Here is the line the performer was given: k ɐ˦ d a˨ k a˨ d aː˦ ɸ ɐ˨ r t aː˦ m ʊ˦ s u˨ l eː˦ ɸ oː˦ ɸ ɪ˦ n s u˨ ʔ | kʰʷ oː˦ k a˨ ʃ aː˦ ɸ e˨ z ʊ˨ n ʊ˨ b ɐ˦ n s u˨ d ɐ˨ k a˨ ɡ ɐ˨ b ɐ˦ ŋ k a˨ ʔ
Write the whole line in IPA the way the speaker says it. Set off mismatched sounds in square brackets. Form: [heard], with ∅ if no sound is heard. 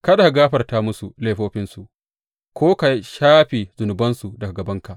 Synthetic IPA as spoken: k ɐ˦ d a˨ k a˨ [ɡ] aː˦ ɸ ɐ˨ r t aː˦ m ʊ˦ s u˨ l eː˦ ɸ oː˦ ɸ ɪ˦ n s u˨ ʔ | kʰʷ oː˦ k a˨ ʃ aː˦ ɸ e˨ z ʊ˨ n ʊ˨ b ɐ˦ n s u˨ d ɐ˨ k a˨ ɡ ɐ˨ b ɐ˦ ŋ k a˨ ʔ